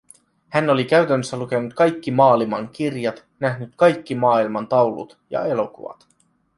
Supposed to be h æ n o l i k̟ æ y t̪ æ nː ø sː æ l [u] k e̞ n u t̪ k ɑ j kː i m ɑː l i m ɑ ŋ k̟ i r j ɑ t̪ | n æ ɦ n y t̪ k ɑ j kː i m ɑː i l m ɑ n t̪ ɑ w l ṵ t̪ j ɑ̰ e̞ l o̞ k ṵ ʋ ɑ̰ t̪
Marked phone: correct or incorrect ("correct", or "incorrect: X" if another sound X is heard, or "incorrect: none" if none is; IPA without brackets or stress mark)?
correct